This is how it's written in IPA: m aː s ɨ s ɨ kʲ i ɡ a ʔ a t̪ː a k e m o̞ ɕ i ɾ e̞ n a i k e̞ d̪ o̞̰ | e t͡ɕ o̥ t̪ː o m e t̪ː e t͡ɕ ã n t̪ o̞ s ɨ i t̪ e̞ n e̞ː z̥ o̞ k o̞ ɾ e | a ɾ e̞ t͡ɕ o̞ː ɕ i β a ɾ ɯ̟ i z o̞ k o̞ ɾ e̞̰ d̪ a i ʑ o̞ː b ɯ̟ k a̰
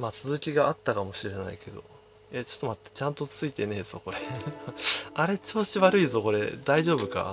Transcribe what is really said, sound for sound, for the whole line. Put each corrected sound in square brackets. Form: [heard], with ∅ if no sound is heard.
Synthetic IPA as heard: m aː [t͡s] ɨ [z] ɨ kʲ i ɡ a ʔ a t̪ː a k [a] m o̞ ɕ i ɾ e̞ n a i k e̞ d̪ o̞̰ | e t͡ɕ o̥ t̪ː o m [a] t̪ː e t͡ɕ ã n t̪ o̞ [t͡s] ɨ i t̪ e̞ n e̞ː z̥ o̞ k o̞ ɾ e | a ɾ e̞ t͡ɕ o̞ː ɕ i β a ɾ ɯ̟ i z o̞ k o̞ ɾ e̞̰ d̪ a i ʑ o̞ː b ɯ̟ k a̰

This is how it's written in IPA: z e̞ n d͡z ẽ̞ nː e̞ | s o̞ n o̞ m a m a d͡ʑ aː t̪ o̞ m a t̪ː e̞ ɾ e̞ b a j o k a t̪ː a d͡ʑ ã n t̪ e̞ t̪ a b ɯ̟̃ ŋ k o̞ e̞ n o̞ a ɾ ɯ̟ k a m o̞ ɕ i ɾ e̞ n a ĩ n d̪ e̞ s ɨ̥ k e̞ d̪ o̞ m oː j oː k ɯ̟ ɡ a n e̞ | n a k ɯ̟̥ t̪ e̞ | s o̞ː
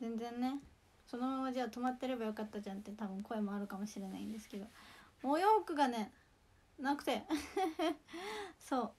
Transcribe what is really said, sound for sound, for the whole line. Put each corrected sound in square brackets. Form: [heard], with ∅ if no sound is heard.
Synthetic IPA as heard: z [ẽ̞] n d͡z ẽ̞ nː e̞ | s o̞ n o̞ m a m a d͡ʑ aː t̪ o̞ m a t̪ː e̞ ɾ e̞ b a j o k a t̪ː a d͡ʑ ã n t̪ e̞ t̪ a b ɯ̟̃ ŋ k o̞ e̞ [m] o̞ a ɾ ɯ̟ k a m o̞ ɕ i ɾ e̞ n a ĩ n d̪ e̞ s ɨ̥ k e̞ d̪ o̞ m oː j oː k ɯ̟ ɡ a n e̞ | n a k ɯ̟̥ t̪ e̞ | s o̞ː

